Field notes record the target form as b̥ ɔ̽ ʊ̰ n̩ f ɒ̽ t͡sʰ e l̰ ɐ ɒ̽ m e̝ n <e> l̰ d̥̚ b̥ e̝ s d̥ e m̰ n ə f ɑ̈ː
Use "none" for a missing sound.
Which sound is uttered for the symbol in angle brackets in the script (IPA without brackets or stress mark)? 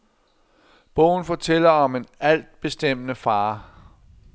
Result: æ